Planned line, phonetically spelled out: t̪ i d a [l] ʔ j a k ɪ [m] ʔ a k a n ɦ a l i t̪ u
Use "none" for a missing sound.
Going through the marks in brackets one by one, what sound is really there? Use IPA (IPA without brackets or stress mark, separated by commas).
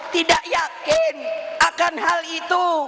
none, n